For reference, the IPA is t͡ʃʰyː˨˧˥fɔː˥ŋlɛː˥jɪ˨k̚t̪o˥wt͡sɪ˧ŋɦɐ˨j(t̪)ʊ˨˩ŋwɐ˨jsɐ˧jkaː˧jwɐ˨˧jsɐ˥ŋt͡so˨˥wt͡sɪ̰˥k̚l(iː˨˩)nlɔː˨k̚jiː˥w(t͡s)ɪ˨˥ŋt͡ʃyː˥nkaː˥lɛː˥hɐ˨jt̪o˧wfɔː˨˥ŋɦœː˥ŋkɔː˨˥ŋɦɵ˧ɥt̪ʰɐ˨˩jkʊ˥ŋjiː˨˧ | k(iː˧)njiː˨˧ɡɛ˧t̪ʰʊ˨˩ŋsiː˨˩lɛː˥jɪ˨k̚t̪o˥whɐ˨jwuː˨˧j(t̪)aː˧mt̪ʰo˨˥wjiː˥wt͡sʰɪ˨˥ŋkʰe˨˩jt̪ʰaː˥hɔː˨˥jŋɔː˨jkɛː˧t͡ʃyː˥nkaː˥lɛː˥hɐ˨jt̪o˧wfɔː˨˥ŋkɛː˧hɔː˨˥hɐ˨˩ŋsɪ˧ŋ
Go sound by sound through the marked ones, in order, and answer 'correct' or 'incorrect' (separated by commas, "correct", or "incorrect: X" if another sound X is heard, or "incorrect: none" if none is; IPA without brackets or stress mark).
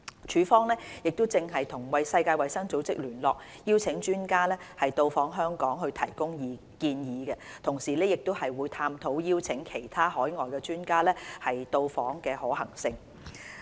incorrect: t̪ʰ, incorrect: yː˨˩, incorrect: t͡sʰ, correct, incorrect: t̪ʰ